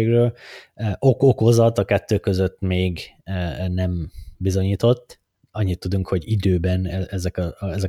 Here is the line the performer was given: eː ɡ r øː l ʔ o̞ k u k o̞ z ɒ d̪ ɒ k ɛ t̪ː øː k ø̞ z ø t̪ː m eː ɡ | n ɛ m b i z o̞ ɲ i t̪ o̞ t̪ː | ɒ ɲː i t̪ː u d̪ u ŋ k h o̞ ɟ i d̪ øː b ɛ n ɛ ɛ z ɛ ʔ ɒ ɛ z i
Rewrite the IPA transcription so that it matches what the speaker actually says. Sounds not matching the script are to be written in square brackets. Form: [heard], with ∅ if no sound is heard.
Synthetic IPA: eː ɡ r øː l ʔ o̞ k [o] k o̞ z ɒ [t̪] ɒ k ɛ t̪ː øː k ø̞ z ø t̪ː m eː ɡ | n ɛ m b i z o̞ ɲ [iː] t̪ o̞ t̪ː | ɒ ɲː i t̪ː u d̪ u ŋ k h o̞ ɟ i d̪ øː b ɛ n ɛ ɛ z ɛ [k] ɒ ɛ z [ɛ]